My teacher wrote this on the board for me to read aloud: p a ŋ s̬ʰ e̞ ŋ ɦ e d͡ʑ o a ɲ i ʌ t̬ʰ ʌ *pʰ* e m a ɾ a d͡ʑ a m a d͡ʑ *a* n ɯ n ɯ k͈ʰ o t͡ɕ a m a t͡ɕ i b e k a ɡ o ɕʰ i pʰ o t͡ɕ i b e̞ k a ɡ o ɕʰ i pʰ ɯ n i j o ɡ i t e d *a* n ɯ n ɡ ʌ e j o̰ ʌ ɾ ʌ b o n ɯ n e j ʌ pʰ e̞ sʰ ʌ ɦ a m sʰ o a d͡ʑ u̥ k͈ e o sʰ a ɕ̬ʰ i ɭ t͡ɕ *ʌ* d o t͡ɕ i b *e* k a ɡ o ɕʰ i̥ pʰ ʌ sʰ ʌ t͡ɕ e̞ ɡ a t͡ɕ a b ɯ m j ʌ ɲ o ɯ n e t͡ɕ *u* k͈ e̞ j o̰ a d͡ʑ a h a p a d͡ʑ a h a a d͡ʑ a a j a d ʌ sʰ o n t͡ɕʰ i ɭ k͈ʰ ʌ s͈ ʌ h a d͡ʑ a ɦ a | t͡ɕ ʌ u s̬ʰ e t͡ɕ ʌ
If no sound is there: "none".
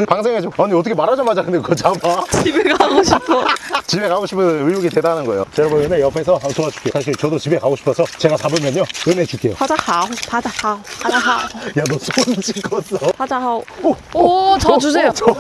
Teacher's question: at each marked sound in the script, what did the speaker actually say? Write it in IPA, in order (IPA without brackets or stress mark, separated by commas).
kʰ, a, a, ʌ, e, u